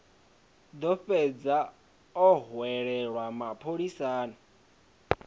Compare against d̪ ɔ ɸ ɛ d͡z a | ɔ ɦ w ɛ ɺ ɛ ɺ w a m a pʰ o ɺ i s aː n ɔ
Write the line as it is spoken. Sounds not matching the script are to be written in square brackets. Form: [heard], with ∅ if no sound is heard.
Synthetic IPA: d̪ ɔ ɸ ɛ d͡z a | ɔ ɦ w ɛ ɺ ɛ ɺ w a m a pʰ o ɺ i s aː n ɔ